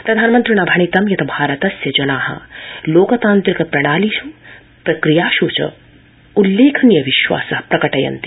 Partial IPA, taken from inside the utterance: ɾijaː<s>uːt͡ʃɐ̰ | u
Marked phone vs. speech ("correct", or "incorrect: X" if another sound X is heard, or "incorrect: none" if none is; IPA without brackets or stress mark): incorrect: ʃ